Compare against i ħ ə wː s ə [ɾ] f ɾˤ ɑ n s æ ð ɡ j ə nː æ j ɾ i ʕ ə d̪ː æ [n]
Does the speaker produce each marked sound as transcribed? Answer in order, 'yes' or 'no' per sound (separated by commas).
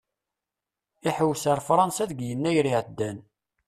yes, yes